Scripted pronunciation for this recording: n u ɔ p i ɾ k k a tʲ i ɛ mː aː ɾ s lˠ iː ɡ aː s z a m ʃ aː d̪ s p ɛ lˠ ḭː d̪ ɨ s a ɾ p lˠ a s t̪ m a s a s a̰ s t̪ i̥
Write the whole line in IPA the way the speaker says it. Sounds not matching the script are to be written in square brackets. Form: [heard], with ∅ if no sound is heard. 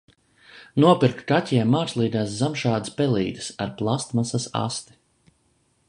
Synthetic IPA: n u ɔ p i ɾ k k a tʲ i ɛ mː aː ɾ s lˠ iː ɡ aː s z a m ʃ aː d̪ s p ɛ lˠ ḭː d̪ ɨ s a ɾ p lˠ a s t̪ m a s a s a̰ s t̪ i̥

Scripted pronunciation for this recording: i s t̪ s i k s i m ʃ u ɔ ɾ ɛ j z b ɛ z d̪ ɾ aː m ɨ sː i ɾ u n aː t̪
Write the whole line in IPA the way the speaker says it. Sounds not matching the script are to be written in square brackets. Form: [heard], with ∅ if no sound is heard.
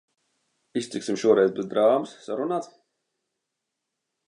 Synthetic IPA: i s t̪ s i k s i m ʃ u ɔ ɾ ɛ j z b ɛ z d̪ ɾ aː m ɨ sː [a] ɾ u n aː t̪

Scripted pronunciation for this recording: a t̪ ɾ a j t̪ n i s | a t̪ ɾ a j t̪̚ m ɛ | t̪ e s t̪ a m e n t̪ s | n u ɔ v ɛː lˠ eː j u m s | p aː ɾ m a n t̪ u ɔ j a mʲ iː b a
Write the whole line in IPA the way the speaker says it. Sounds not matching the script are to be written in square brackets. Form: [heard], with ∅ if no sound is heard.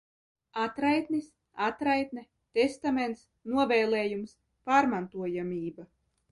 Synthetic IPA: a t̪ ɾ a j t̪ n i s | a t̪ ɾ a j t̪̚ [n] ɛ | t̪ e s t̪ a m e n t̪ s | n u ɔ v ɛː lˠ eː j u m s | p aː ɾ m a n t̪ u ɔ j a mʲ iː b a

